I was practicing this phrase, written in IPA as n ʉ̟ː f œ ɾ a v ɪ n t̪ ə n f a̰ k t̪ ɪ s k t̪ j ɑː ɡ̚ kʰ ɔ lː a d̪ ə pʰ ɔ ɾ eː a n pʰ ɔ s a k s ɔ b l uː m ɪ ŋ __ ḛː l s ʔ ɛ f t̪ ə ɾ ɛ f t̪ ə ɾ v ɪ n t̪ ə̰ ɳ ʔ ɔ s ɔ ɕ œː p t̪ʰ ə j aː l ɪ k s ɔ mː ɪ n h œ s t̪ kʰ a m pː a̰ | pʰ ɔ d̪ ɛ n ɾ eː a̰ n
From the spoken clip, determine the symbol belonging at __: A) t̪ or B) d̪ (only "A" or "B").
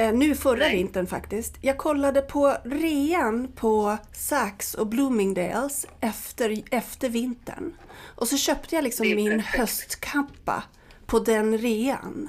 B